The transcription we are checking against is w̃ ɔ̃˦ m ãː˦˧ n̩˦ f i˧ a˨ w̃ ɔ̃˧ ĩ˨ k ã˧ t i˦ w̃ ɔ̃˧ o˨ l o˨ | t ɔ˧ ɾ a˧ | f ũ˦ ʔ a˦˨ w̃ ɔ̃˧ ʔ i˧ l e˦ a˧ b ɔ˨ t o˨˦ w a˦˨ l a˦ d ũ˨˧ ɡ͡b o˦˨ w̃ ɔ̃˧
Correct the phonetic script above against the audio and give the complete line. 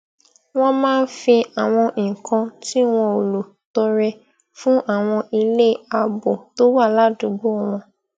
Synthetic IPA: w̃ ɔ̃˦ m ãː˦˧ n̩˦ f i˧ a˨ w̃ ɔ̃˧ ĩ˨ k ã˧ t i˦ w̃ ɔ̃˧ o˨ l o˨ | t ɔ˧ ɾ ɛ˧ | f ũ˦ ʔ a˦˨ w̃ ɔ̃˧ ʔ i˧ l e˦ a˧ b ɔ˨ t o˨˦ w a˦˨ l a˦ d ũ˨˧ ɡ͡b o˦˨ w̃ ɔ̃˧